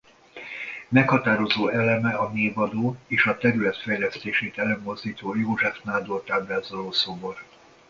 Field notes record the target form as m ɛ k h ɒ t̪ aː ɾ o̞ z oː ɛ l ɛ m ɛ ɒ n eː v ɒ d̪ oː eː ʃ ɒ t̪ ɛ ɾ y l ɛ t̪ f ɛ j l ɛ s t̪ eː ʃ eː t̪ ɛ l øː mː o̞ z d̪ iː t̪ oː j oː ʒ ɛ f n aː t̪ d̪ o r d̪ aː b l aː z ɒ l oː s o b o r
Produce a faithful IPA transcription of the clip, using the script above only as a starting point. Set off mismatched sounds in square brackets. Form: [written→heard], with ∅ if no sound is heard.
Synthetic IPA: m ɛ k h ɒ t̪ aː ɾ o̞ z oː ɛ l ɛ m ɛ ɒ n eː v ɒ d̪ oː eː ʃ ɒ t̪ ɛ ɾ y l ɛ t̪ f ɛ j l ɛ s t̪ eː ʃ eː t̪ ɛ l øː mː o̞ z d̪ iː t̪ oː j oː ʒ ɛ f n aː [t̪→∅] d̪ o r [d̪→t̪] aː b l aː z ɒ l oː s o b o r